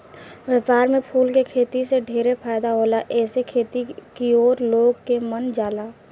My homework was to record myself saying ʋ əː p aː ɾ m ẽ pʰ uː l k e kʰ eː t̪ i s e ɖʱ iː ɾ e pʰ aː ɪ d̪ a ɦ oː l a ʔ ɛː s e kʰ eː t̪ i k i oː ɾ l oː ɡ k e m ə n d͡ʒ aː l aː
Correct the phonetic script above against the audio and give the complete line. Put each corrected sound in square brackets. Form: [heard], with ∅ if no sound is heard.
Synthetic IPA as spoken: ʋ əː p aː ɾ m ẽ pʰ uː l k e kʰ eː t̪ i s e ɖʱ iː ɾ e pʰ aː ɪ d̪ a ɦ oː l a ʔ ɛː s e kʰ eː t̪ i k i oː ɾ l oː ɡ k e m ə n d͡ʒ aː l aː